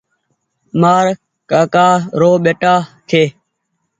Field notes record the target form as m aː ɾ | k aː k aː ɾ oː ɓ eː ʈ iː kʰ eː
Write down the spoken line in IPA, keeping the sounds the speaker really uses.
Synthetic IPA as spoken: m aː ɾ | k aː k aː ɾ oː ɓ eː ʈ aː kʰ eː